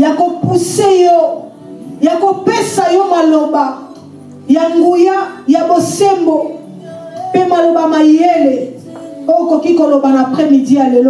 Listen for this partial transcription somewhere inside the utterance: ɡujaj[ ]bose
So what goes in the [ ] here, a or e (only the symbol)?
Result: a